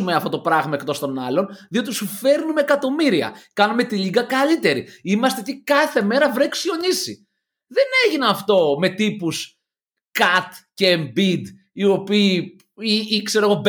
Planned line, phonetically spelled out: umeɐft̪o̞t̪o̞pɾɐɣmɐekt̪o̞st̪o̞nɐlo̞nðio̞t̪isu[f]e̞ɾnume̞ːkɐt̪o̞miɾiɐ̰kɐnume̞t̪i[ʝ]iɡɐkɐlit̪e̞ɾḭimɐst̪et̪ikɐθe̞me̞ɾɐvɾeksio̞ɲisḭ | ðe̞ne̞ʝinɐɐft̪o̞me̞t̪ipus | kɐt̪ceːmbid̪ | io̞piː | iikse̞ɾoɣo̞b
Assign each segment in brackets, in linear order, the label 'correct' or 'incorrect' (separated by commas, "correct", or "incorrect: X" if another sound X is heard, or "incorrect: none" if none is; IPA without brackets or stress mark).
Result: correct, incorrect: ʎ